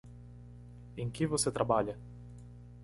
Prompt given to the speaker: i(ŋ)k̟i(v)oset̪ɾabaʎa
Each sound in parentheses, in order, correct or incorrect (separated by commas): correct, correct